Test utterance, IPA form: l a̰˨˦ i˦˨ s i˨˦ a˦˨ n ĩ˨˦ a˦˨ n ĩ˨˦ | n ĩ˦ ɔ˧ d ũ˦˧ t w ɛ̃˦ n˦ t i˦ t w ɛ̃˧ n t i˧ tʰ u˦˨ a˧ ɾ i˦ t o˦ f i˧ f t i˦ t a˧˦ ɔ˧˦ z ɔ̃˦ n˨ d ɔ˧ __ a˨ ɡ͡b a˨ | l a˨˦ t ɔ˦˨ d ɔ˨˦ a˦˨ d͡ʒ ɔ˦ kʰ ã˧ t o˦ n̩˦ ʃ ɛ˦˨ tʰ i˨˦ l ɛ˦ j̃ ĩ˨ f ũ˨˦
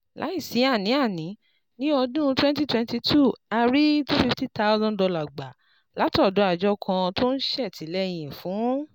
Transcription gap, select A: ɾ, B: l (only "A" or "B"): B